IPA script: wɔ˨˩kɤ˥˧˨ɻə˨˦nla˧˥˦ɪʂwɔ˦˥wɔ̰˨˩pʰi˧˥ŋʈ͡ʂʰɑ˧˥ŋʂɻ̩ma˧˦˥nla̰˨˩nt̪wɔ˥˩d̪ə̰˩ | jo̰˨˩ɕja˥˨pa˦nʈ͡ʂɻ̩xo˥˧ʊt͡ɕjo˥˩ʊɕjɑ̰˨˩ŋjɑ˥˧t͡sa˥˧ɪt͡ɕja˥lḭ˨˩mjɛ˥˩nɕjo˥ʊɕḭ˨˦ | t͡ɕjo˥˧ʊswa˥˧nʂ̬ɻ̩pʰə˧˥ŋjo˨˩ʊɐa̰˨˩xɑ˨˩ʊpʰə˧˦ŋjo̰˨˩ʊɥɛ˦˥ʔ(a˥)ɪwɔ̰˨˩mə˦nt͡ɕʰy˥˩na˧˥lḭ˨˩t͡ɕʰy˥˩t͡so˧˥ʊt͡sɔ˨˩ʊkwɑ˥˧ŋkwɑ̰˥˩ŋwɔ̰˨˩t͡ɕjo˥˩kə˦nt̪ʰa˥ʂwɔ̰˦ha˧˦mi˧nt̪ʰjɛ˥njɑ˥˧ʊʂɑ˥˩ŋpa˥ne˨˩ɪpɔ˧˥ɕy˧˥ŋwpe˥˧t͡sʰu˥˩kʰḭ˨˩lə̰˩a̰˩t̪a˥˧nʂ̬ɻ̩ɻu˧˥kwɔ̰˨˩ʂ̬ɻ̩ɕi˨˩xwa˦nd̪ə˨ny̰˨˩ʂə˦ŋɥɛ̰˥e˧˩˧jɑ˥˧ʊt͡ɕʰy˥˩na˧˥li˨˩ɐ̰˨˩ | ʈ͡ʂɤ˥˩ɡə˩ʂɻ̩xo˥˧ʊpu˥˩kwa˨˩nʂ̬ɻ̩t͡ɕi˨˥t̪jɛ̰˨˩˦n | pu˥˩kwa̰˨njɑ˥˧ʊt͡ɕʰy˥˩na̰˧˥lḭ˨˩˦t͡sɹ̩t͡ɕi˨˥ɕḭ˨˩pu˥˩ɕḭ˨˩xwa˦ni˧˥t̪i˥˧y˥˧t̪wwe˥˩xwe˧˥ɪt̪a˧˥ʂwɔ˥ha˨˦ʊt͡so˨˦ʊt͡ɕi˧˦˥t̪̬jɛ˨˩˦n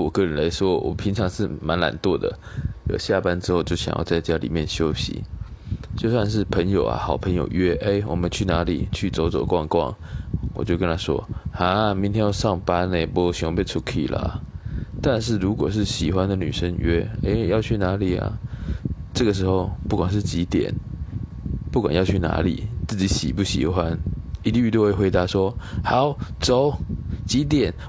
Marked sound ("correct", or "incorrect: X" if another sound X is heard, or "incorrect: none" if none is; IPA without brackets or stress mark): incorrect: e˥